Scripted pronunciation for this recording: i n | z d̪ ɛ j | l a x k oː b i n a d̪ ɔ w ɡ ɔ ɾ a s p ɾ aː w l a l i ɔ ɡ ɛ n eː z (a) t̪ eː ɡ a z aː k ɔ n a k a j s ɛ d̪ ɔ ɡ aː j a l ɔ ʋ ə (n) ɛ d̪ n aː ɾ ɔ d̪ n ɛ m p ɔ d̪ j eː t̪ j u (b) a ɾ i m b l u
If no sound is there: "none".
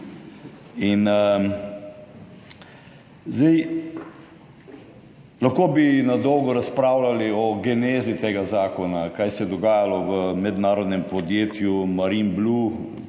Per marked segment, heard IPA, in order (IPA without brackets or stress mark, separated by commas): i, m, m